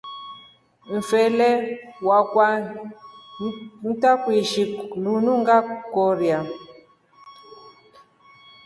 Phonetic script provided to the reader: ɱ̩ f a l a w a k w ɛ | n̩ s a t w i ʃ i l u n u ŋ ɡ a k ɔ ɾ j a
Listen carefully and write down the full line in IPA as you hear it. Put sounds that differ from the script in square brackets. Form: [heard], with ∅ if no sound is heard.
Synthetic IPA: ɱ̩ f [ɛ] l [ɛ] w a k w [a] | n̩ [t] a [k] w i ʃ i l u n u ŋ ɡ a k ɔ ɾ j a